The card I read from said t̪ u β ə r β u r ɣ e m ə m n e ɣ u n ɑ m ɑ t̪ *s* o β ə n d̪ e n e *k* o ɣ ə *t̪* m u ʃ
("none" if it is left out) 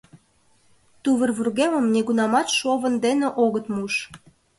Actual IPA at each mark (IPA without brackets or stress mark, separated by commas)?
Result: ʃ, ʔ, t̪